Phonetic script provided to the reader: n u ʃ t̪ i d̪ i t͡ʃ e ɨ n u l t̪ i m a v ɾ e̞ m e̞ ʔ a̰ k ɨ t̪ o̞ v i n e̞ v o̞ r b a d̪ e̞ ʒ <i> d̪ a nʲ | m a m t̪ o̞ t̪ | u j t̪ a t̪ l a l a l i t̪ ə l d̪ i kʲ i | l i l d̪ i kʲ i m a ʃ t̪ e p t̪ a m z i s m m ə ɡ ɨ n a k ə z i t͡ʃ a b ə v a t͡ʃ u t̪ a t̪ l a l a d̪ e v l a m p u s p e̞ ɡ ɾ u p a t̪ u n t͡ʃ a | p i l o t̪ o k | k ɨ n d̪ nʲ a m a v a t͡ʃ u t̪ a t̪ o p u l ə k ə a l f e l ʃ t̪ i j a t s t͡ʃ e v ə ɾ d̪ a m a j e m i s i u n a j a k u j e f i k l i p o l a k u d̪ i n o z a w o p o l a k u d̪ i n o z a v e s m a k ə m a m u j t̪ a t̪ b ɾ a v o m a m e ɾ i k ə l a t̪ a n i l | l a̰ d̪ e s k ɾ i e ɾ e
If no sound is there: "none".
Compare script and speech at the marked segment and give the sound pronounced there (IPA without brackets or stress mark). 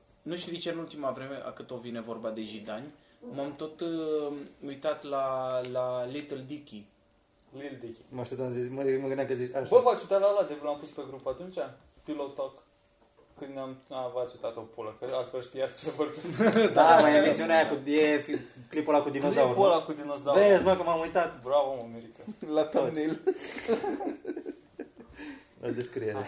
i